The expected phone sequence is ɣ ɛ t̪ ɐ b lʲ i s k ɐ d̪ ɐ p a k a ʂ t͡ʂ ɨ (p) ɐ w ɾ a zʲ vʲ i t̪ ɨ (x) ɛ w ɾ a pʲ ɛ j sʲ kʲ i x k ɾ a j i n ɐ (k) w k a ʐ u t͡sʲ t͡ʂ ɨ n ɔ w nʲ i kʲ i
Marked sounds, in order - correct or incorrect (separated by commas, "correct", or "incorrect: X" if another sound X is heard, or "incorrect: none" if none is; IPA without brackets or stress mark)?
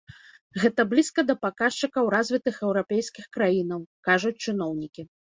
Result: incorrect: k, correct, incorrect: none